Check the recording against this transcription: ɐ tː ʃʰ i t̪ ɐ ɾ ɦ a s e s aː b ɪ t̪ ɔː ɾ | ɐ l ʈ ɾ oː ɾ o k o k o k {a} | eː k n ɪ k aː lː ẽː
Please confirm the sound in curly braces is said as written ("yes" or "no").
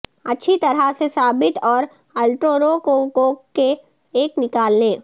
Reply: no